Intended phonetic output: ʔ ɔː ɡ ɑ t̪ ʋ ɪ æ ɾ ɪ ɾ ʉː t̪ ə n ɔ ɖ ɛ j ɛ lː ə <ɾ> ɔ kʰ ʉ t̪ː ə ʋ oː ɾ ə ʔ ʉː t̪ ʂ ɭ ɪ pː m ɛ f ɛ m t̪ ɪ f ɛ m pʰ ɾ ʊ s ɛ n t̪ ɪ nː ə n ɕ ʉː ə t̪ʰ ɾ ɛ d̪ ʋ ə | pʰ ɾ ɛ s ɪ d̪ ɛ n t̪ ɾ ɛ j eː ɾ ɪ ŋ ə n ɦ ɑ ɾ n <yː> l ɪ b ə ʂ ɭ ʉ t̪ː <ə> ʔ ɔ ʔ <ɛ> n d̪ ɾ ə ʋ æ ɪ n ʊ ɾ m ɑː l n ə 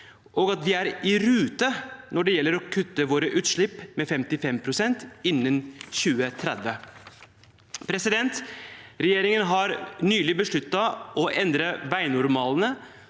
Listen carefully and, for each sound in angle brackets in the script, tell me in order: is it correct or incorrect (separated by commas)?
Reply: correct, correct, incorrect, correct